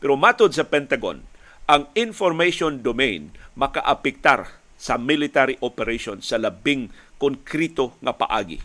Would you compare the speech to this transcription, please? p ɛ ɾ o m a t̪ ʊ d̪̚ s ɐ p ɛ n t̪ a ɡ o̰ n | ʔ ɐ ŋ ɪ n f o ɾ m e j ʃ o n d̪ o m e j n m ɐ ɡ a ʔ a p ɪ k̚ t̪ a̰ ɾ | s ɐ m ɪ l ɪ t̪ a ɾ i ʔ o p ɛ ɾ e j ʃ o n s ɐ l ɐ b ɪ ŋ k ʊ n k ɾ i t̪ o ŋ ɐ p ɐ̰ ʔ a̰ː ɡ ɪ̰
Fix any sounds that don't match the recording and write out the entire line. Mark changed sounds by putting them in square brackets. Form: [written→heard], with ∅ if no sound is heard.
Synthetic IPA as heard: p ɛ ɾ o m a t̪ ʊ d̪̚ s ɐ p ɛ n t̪ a ɡ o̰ n | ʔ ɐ ŋ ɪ n f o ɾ m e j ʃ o n d̪ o m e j n m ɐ [ɡ→k] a ʔ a p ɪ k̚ t̪ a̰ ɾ | s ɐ m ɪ l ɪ t̪ a ɾ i ʔ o p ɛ ɾ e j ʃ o n s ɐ l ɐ b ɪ ŋ k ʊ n k ɾ i t̪ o ŋ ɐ p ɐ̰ ʔ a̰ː ɡ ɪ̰